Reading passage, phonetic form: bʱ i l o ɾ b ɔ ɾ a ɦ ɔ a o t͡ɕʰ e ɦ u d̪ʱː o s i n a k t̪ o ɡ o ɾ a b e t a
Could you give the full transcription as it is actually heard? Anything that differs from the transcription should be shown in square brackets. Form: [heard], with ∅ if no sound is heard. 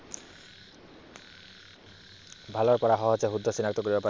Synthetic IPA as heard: bʱ [a] l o ɾ [p] ɔ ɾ a ɦ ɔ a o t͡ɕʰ e ɦ u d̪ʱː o s i n a k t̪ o [k] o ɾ [i] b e [p] a